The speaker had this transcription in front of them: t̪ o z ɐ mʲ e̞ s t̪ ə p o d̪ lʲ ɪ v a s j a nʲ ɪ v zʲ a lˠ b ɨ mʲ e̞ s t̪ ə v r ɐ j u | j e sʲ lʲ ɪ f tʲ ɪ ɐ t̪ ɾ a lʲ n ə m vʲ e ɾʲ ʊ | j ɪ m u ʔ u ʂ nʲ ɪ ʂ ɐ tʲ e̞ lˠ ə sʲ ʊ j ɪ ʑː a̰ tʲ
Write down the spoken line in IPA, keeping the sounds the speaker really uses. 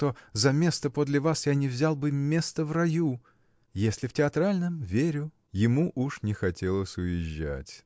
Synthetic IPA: t̪ o z ɐ mʲ e̞ s t̪ ə p o d̪ lʲ ɪ v a s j a nʲ ɪ v zʲ a lˠ b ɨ mʲ e̞ s t̪ ə v r ɐ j u | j e sʲ lʲ ɪ f tʲ ɪ ɐ t̪ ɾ a lʲ n ə m vʲ e ɾʲ ʊ | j ɪ m u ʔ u ʂ nʲ ɪ x ɐ tʲ e̞ lˠ ə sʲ ʊ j ɪ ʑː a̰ tʲ